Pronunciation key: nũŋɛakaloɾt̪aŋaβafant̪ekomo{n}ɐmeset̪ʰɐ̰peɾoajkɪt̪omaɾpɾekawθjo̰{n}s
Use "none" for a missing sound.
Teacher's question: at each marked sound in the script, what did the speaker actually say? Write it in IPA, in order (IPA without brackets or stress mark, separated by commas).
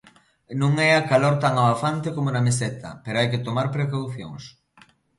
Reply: n, ŋ